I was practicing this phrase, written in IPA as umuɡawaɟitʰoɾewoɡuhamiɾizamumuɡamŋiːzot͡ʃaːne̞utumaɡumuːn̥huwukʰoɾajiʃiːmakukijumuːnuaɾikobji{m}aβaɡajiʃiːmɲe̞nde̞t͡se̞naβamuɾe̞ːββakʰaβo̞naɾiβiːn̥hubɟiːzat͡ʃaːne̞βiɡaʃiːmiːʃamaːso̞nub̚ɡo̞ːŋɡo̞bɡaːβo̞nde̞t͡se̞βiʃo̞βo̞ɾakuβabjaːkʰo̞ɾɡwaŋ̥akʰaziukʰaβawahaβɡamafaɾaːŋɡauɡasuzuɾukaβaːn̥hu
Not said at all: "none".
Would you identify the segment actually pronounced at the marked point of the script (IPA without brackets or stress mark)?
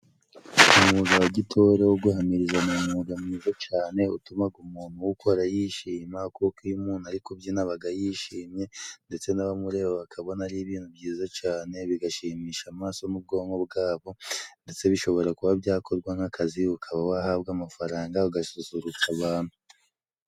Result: n